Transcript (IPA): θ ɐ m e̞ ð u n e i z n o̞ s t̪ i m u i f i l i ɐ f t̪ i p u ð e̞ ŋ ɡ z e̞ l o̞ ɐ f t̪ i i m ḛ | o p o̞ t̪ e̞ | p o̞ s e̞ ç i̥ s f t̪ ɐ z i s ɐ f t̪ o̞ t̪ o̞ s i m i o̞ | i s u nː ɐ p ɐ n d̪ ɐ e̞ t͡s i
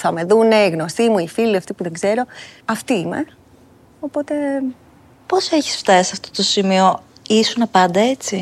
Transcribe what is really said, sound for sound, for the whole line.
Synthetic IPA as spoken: θ ɐ m e̞ ð u n e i ɣ n o̞ s t̪ i m u i f i l i ɐ f t̪ i p u ð e̞ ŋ ɡ z e̞ ɾ o̞ ɐ f t̪ i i m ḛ | o p o̞ t̪ e̞ | p o̞ s e̞ ç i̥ s f t̪ ɐ s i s ɐ f t̪ o̞ t̪ o̞ s i m i o̞ | i s u n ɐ p ɐ n d̪ ɐ e̞ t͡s i